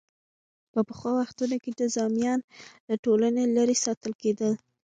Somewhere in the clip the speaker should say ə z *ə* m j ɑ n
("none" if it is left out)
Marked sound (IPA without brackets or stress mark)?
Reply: ɑ